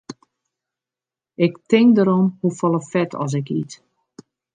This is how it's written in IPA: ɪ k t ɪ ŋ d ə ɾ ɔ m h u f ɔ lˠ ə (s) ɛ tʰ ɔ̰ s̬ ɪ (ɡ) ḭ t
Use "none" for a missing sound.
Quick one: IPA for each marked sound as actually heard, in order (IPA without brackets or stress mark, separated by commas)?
f, k